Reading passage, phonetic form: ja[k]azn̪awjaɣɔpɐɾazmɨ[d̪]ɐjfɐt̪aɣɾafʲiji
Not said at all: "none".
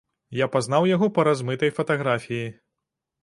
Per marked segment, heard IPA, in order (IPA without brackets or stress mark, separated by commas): p, t̪